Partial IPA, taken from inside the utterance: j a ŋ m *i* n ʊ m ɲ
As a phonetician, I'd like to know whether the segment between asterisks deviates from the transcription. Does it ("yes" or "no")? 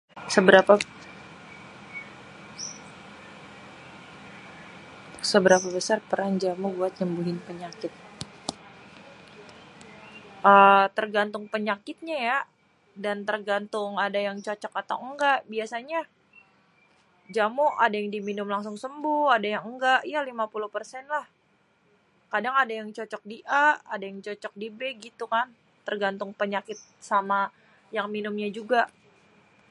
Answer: no